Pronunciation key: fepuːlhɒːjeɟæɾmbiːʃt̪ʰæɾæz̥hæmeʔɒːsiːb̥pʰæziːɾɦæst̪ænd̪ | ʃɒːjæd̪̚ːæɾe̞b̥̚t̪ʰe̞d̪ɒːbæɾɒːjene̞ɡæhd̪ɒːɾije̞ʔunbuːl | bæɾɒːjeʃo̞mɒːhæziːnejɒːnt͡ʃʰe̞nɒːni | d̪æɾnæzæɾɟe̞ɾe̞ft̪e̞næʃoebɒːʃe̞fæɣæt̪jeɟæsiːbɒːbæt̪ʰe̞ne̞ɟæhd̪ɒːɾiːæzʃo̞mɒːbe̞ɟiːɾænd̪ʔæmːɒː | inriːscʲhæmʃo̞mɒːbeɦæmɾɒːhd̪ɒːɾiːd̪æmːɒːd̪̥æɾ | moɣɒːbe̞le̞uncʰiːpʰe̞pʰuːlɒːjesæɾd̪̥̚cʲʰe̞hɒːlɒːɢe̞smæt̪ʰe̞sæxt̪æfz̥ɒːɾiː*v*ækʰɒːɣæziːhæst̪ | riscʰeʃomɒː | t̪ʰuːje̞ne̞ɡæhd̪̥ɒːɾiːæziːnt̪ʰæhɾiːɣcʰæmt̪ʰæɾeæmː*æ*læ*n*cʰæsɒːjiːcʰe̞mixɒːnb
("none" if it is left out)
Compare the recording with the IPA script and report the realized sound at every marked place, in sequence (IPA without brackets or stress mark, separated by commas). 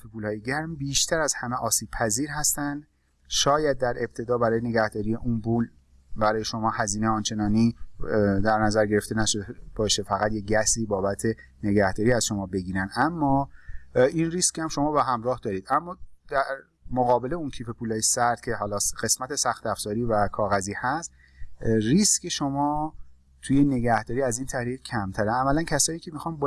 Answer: v, æ, n